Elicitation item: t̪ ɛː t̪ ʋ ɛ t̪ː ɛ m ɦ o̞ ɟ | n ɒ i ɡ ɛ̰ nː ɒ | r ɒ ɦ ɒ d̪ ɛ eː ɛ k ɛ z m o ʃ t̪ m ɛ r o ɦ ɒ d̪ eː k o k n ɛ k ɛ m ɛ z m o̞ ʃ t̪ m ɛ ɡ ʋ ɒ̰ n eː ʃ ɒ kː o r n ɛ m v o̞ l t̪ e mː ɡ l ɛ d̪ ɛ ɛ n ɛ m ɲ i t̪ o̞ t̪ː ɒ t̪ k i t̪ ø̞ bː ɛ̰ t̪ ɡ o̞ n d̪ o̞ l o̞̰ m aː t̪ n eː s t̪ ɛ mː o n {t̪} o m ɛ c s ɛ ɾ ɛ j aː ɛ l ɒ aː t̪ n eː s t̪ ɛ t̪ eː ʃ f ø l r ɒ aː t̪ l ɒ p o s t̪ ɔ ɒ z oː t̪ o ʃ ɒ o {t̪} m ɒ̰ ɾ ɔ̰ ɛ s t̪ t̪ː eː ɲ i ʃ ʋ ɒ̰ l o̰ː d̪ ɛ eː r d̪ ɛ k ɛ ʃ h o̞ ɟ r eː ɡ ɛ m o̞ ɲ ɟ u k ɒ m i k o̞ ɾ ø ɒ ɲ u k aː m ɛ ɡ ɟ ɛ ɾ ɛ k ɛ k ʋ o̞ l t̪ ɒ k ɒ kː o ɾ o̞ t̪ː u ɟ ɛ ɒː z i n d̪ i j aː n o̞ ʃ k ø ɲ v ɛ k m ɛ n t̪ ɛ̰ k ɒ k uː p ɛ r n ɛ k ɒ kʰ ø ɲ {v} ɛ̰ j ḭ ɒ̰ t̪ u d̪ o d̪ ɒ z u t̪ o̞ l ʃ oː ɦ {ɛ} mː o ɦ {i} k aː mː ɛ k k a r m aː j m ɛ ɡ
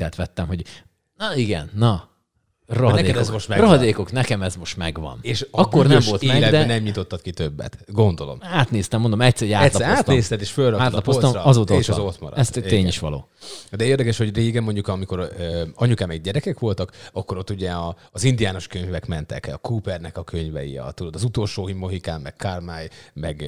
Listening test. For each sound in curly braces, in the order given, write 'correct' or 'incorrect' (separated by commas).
incorrect, correct, correct, incorrect, correct